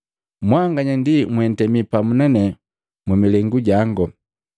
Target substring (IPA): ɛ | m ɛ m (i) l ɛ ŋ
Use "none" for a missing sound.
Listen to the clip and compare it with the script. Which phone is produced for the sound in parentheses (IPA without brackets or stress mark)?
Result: i